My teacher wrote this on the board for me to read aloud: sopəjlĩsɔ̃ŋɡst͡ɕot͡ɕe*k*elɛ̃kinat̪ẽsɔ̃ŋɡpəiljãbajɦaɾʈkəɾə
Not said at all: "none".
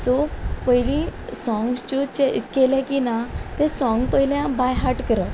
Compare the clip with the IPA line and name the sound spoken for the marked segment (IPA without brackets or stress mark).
k